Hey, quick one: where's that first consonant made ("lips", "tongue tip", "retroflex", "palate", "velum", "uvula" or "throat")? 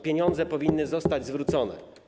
lips